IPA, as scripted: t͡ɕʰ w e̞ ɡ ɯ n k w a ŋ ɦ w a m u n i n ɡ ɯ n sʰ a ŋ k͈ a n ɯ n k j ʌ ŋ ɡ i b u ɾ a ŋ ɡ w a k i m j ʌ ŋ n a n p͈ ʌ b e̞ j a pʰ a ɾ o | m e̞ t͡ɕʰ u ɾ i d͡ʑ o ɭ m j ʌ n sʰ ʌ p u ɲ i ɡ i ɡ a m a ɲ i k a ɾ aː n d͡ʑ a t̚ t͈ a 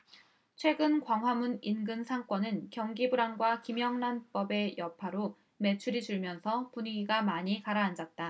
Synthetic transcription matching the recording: t͡ɕʰ w e̞ ɡ ɯ n k w a ŋ ɦ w a m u n i n ɡ ɯ n sʰ a ŋ k͈ ʌ n ɯ n k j ʌ ŋ ɡ i b u ɾ a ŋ ɡ w a k i m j ʌ ŋ n a n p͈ ʌ b e̞ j ʌ pʰ a ɾ o | m e̞ t͡ɕʰ u ɾ i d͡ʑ u ɭ m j ʌ n sʰ ʌ p u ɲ i ɡ i ɡ a m a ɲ i k a ɾ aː n d͡ʑ a t̚ t͈ a